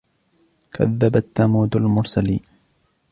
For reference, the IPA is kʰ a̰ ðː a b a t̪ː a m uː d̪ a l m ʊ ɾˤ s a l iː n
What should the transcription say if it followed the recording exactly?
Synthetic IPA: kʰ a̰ ðː a b a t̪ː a m uː d̪ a l m ʊ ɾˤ s a l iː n